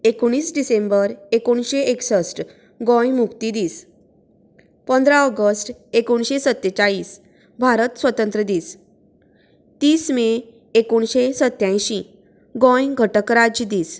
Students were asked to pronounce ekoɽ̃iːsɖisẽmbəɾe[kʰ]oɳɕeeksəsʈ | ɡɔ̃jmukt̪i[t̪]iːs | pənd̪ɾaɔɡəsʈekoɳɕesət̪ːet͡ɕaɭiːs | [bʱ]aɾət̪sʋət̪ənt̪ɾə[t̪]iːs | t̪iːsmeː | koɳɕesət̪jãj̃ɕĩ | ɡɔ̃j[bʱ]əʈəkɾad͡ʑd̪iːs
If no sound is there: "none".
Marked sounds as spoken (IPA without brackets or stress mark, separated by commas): k, d̪, bʱ, d̪, ɡʱ